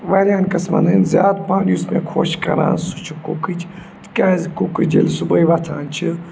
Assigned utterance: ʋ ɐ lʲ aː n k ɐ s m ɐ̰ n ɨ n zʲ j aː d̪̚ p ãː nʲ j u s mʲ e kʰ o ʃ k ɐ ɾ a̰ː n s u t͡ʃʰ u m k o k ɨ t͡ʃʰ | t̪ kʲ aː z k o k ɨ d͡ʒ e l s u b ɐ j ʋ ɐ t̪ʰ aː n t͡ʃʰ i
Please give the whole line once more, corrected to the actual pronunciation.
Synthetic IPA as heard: ʋ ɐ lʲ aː n k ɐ s m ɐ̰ n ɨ n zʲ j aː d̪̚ p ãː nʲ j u s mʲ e kʰ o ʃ k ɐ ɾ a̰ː n s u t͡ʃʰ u k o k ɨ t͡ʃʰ | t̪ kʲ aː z k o k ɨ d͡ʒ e l s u b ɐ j ʋ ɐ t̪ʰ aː n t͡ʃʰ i